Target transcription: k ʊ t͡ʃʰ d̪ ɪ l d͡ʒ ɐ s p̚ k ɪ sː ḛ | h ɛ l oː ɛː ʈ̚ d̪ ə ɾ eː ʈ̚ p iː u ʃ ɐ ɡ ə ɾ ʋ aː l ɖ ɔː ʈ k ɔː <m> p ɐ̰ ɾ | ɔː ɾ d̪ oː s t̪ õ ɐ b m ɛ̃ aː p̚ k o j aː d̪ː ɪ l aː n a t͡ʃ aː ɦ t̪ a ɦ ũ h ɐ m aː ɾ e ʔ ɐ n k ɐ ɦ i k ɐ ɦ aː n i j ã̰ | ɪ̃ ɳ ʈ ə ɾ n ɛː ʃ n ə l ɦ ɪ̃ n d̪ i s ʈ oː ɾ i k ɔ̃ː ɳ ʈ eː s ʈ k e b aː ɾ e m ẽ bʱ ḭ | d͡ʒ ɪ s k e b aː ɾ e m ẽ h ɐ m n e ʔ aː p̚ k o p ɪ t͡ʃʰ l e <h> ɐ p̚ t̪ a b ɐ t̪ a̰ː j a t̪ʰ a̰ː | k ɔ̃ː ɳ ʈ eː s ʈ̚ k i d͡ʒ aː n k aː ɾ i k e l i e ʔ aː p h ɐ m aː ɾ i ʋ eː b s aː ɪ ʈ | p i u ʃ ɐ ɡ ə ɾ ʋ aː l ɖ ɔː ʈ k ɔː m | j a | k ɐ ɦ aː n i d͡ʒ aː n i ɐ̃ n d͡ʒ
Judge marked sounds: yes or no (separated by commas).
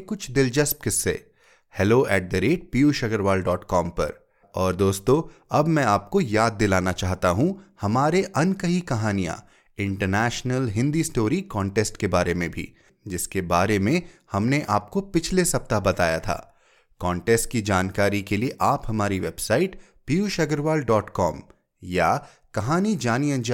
yes, no